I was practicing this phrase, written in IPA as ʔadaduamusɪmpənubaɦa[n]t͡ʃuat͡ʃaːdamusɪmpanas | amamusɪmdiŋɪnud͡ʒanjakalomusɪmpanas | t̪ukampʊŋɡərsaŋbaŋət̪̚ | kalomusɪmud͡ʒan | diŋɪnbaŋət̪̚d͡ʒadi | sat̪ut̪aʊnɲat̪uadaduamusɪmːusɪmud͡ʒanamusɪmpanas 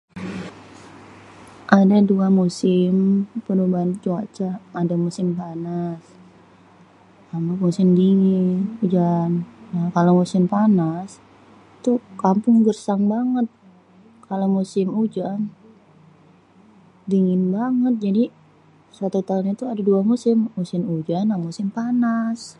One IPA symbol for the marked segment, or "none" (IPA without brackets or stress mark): n